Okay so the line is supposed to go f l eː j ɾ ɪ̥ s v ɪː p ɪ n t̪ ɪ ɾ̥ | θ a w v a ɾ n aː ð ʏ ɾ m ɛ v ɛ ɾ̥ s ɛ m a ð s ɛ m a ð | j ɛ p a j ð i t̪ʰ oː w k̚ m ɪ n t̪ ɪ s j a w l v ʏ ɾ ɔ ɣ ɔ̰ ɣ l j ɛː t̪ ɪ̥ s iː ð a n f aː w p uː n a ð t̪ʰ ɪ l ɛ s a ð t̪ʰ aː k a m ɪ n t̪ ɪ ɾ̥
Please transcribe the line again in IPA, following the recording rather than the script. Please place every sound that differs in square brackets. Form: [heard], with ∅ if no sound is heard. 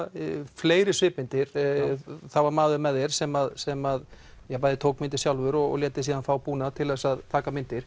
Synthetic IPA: f l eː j ɾ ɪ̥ s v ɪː p ɪ n t̪ ɪ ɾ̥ | θ a w v a ɾ [m] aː ð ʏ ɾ m ɛ [ð] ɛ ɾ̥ s ɛ m a ð s ɛ m a ð | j ɛ p a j ð [ɪ] t̪ʰ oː w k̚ m ɪ n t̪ ɪ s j a w l v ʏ ɾ ɔ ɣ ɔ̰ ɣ l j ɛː t̪ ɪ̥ s iː ð a n f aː w p uː n a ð t̪ʰ ɪ l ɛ s a ð t̪ʰ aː k a m ɪ n t̪ ɪ ɾ̥